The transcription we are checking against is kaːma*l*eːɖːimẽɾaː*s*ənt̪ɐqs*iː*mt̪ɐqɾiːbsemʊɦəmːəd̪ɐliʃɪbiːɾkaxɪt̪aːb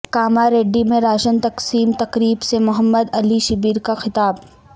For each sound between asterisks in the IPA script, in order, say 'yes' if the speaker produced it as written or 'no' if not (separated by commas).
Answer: no, no, yes